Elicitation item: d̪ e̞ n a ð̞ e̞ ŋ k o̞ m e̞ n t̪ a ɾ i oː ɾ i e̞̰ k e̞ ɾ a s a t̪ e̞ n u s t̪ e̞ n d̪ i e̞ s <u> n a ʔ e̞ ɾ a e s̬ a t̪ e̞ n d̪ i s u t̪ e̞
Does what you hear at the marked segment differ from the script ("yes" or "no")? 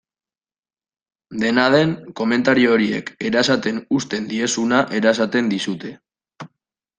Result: no